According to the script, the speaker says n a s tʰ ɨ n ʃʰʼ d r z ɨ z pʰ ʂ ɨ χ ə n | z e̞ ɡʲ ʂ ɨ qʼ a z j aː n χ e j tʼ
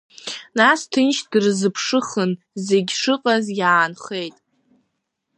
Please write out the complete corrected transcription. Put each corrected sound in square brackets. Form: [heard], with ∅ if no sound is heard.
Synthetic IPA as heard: n a s tʰ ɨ n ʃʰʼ d r z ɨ [∅] pʰ ʂ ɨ χ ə n | z e̞ ɡʲ ʂ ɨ qʼ a z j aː n χ e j tʼ